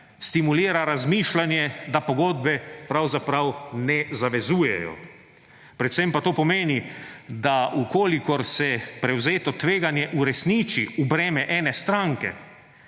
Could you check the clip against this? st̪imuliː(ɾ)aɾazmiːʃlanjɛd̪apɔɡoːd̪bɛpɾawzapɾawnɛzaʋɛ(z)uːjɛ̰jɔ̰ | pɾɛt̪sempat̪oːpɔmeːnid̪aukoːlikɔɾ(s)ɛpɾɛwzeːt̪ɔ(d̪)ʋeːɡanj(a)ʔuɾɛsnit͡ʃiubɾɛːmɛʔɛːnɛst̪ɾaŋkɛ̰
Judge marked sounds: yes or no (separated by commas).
yes, yes, yes, no, no